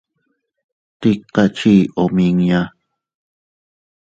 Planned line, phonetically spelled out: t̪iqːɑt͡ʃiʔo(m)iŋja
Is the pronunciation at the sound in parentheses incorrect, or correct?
correct